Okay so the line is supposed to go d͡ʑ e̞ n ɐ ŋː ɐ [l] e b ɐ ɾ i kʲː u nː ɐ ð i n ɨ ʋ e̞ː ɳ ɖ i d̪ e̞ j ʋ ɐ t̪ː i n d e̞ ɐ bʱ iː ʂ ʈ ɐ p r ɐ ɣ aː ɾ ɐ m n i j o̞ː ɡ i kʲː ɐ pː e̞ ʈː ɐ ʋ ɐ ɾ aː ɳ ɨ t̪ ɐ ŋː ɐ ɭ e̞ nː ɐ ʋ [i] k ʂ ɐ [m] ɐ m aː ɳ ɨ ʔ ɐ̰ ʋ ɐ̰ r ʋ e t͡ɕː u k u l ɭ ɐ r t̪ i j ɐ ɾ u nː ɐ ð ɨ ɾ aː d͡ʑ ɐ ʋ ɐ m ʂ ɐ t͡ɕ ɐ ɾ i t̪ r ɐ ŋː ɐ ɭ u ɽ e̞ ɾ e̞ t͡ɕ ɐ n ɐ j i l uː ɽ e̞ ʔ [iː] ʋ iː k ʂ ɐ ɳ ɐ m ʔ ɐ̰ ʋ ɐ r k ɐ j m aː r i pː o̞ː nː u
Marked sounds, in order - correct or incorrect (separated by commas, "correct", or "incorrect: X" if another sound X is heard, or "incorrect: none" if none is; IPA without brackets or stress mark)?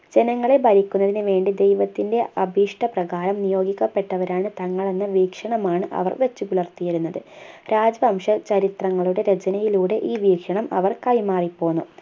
incorrect: ɭ, incorrect: iː, incorrect: ɳ, correct